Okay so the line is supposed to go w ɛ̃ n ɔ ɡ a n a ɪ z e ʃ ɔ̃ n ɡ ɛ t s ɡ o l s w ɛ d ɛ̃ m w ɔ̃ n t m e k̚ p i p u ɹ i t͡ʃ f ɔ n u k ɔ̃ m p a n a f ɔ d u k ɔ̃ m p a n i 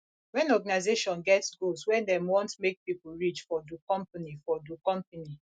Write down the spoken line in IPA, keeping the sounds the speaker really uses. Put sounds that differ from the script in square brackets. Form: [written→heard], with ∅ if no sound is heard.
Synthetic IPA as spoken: w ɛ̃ n ɔ ɡ a n a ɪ z e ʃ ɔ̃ n ɡ ɛ t s ɡ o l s w ɛ d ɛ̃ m w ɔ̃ n t m e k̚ p i p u ɹ i t͡ʃ f ɔ [n→d] u k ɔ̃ m p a n [a→i] f ɔ d u k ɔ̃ m p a n i